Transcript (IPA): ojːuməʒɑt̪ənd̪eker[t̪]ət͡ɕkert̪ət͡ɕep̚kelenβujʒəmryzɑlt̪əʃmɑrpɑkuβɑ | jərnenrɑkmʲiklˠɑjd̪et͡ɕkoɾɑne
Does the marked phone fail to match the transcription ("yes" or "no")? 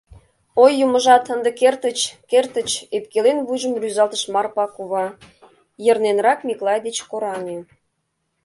no